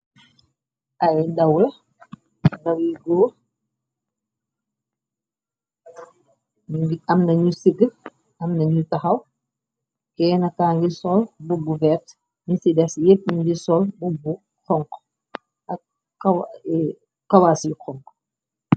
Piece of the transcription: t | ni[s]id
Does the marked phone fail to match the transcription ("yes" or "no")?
no